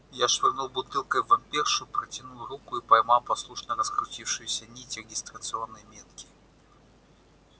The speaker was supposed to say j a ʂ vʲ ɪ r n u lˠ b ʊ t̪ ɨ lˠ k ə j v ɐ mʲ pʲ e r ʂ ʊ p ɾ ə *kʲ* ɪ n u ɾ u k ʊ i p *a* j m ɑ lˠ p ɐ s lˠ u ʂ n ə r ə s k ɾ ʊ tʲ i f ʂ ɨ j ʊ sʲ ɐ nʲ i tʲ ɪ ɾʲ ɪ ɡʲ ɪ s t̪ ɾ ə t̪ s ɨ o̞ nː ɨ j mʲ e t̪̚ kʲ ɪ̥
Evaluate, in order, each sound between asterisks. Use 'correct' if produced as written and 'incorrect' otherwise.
incorrect: tʲ, incorrect: ɐ

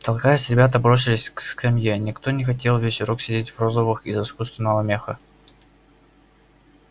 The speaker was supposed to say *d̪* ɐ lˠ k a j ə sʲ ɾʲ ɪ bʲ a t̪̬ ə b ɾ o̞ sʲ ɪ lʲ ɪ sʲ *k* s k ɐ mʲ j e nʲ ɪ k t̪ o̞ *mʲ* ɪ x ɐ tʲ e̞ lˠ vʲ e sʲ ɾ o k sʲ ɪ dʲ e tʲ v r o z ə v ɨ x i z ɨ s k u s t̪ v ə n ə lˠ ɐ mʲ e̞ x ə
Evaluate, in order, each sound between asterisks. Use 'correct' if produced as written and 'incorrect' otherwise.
incorrect: t̪, correct, incorrect: nʲ

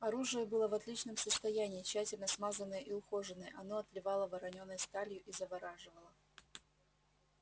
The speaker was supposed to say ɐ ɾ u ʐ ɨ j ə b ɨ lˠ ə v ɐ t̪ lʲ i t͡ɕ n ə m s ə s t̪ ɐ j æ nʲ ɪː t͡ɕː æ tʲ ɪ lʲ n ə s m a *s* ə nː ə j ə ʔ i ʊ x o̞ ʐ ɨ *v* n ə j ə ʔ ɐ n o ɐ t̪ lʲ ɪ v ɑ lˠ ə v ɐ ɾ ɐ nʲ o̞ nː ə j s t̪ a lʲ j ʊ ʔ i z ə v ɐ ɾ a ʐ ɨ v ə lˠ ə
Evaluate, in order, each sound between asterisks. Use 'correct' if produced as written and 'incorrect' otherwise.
incorrect: z, incorrect: none

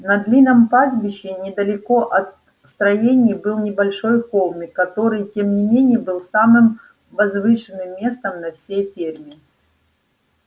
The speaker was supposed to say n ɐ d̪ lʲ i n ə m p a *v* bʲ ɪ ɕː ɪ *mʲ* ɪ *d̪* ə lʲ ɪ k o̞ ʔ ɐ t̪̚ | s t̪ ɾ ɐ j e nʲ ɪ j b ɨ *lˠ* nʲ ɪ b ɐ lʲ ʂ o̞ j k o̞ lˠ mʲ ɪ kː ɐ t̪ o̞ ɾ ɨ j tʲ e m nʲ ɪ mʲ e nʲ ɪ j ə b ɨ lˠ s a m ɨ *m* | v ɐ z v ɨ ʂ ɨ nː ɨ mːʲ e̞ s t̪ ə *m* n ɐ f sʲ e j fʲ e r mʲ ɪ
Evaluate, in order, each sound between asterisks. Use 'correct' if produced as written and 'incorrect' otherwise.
incorrect: z, incorrect: nʲ, correct, correct, correct, correct

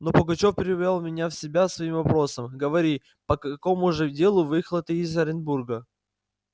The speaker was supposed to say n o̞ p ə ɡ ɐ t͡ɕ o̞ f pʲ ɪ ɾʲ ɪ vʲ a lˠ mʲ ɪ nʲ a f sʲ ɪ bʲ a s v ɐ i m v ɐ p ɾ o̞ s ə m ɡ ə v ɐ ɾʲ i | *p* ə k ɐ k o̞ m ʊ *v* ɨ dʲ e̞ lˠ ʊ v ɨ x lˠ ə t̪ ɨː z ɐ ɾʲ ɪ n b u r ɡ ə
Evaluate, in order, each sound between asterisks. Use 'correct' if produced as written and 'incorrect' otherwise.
correct, incorrect: ʐ

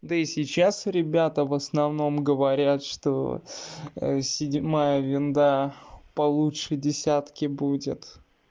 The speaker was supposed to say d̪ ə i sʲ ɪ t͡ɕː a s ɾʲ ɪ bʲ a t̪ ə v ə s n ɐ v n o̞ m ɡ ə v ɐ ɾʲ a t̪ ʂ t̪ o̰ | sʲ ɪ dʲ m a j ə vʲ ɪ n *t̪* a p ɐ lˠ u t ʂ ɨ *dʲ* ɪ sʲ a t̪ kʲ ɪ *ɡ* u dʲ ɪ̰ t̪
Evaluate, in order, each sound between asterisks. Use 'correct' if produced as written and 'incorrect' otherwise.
incorrect: d̪, correct, incorrect: b

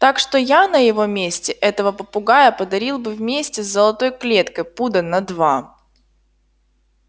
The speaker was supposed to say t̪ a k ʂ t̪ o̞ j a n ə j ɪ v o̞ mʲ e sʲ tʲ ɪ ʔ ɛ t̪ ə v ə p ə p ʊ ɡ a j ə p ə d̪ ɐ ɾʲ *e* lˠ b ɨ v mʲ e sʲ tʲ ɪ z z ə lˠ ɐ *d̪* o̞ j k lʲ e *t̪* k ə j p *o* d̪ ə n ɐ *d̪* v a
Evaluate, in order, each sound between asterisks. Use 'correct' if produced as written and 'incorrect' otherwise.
incorrect: i, incorrect: t̪, correct, incorrect: u, correct

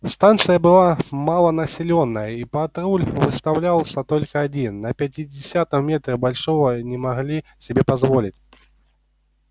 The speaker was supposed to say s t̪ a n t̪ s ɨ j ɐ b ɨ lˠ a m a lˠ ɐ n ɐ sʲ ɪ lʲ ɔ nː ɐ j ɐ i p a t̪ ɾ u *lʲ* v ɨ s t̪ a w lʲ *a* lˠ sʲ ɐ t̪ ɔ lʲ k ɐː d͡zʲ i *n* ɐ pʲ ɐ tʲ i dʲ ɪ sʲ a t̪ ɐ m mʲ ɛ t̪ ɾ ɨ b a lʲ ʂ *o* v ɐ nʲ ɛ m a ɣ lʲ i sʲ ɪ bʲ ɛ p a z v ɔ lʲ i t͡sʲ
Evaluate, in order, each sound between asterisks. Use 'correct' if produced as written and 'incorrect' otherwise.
correct, correct, incorrect: nː, incorrect: ɔ

